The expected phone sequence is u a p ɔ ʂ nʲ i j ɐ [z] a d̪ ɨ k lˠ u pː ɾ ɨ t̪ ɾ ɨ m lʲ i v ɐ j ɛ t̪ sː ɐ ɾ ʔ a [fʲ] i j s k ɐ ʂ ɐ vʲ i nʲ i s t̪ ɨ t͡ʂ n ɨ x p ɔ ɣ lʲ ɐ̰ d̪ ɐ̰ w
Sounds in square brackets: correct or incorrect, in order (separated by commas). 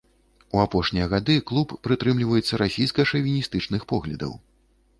incorrect, incorrect